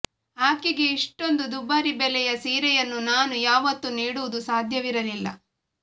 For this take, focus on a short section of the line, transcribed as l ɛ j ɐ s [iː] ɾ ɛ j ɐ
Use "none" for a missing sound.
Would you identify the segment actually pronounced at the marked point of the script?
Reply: iː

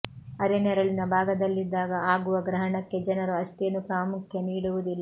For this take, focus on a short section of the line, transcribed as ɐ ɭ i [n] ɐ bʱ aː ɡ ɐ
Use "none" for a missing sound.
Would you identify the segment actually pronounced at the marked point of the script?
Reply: n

